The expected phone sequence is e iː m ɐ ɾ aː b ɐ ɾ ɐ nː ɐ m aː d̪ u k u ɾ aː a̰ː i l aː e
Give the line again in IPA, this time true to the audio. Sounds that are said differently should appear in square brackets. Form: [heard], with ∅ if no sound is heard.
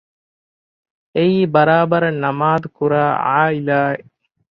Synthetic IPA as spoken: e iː [b] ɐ ɾ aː b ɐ ɾ ɐ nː ɐ m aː d̪ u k u ɾ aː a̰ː i l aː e